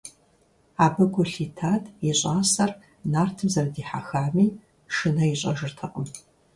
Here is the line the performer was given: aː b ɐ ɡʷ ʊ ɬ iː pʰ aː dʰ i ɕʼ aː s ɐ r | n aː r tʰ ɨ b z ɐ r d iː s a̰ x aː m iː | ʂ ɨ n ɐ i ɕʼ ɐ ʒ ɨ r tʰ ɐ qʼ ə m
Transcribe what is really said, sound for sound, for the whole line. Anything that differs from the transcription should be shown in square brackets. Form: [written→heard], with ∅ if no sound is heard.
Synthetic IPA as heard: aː b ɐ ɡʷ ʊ ɬ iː [pʰ→tʰ] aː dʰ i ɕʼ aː s ɐ r | n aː r tʰ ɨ [b→m] z ɐ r d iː [s→ħ] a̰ x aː m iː | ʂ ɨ n ɐ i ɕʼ ɐ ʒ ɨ r tʰ ɐ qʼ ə m